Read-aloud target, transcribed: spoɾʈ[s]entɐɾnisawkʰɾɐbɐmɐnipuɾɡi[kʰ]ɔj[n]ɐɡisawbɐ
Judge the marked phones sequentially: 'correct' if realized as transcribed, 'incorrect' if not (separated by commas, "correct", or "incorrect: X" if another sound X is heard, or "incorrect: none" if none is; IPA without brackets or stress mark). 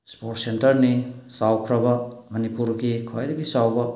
correct, correct, incorrect: d